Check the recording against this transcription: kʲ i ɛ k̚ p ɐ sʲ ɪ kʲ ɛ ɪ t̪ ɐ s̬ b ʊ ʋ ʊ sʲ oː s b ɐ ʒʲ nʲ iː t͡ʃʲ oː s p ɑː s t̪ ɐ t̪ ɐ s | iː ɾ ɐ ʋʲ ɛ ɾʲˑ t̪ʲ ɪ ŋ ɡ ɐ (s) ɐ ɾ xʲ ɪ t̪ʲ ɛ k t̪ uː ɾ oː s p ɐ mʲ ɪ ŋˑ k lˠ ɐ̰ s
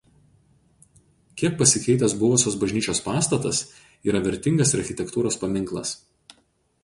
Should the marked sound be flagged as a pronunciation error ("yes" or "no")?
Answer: no